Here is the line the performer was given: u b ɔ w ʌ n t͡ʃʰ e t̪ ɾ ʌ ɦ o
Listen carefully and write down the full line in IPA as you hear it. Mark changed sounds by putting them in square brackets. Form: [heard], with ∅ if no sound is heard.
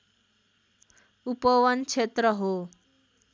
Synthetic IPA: u [p] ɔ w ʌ n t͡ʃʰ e t̪ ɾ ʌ ɦ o